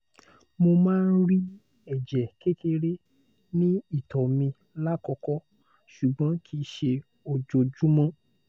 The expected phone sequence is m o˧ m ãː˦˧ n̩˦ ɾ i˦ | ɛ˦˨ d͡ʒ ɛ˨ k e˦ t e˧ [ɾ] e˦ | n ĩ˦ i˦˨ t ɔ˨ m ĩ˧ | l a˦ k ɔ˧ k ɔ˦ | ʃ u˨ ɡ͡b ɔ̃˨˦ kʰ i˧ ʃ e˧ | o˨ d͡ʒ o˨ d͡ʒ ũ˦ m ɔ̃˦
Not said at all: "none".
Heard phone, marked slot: ɾ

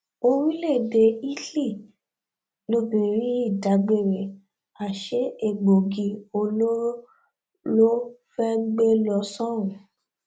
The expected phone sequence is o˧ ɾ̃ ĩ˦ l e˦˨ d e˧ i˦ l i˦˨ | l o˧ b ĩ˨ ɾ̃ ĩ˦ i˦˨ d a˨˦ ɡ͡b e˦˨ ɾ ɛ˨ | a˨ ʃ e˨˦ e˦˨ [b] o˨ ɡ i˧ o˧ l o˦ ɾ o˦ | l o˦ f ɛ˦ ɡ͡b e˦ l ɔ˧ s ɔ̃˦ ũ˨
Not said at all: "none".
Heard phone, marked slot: ɡ͡b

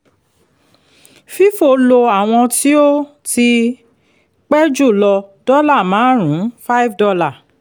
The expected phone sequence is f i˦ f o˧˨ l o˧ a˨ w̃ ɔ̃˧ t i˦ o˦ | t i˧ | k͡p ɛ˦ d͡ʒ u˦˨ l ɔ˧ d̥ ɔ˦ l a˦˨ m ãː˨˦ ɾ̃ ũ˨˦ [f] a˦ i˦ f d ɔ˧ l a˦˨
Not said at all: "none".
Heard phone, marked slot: f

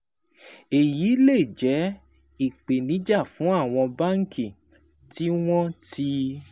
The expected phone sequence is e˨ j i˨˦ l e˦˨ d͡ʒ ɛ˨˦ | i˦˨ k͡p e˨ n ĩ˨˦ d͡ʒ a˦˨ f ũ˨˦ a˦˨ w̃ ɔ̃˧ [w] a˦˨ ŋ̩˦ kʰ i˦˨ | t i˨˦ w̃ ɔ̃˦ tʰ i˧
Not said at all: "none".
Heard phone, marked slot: b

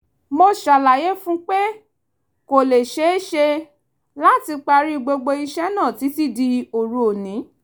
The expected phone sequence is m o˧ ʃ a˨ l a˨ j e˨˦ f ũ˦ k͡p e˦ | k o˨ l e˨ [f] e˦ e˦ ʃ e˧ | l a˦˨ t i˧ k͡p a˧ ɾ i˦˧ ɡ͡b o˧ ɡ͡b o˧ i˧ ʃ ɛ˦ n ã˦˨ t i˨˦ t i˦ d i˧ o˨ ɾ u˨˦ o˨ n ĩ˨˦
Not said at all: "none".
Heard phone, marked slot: ʃ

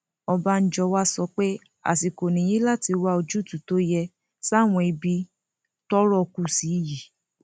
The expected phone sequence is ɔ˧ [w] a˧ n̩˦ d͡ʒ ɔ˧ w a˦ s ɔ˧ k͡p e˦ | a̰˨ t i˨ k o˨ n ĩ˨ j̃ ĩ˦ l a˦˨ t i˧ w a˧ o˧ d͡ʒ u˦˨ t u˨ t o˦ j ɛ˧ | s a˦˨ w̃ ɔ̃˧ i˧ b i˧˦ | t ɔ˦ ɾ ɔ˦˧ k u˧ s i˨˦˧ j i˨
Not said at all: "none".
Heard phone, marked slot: b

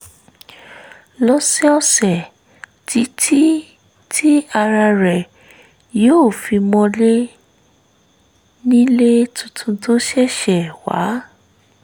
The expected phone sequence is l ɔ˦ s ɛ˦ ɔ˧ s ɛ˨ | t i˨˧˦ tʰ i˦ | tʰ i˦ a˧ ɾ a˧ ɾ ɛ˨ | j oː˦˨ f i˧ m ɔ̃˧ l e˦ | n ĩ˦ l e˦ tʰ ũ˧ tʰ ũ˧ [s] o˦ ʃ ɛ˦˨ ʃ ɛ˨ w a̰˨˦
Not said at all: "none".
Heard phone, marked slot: t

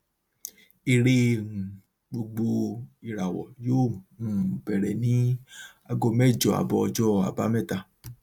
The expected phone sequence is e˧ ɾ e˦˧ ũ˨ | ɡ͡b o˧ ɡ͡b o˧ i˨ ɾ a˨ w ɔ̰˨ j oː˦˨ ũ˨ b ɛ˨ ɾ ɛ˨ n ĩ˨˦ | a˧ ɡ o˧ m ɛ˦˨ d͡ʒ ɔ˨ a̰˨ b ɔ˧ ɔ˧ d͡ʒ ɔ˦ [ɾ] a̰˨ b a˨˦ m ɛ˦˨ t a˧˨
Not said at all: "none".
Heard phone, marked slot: none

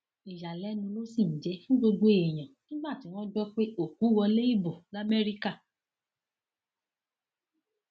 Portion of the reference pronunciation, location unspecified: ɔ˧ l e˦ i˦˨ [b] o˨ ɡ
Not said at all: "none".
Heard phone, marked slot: b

